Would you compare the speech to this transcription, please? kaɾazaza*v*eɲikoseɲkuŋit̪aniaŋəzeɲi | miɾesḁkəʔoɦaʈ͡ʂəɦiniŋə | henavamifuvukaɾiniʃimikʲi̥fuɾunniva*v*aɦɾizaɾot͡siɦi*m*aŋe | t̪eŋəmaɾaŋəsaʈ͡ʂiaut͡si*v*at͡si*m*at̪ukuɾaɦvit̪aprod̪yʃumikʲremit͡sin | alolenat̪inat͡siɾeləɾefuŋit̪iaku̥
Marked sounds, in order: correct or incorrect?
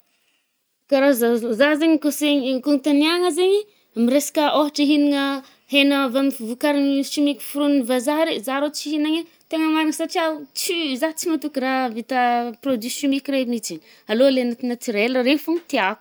incorrect: z, incorrect: z, incorrect: n, incorrect: z, correct

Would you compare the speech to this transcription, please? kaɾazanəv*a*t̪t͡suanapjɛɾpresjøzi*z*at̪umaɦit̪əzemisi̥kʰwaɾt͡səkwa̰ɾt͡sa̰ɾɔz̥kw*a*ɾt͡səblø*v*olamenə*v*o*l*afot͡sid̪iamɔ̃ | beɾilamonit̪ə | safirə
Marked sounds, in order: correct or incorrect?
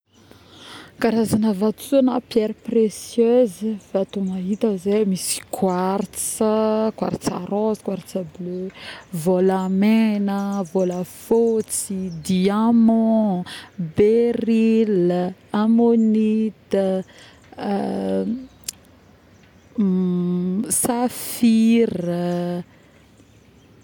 correct, incorrect: v, correct, correct, correct, correct

